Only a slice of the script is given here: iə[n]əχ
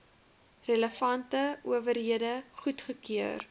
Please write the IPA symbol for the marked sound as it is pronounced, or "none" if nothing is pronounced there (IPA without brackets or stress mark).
d